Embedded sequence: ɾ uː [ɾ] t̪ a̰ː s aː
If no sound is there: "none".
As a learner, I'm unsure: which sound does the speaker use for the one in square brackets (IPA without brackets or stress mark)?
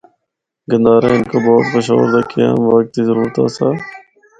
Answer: ɾ